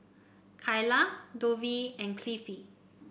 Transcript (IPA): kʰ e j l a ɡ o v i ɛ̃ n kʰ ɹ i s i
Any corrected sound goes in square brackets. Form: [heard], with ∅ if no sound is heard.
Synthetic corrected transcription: kʰ [a] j l a [d] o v i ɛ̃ n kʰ [l] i [f] i